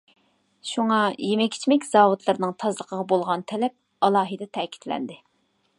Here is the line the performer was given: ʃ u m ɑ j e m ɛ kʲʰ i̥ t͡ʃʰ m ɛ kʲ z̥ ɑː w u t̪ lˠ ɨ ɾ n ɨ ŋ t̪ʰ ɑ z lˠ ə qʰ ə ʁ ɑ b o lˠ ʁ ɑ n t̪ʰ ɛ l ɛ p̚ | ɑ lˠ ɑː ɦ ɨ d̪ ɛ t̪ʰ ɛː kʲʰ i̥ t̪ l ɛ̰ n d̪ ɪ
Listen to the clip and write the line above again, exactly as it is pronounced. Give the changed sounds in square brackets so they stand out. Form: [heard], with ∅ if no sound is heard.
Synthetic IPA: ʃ u [ŋ] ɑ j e m ɛ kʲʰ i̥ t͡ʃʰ m ɛ kʲ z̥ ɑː w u t̪ lˠ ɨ ɾ n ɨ ŋ t̪ʰ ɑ z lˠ ə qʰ ə ʁ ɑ b o lˠ ʁ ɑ n t̪ʰ ɛ l ɛ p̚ | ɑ lˠ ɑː ɦ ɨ d̪ ɛ t̪ʰ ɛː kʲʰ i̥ t̪ l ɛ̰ n d̪ ɪ